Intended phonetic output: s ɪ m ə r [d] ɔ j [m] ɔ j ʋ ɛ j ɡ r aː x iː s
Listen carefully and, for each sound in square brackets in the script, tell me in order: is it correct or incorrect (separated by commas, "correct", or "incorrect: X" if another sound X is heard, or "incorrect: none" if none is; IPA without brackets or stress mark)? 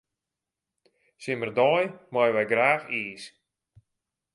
correct, correct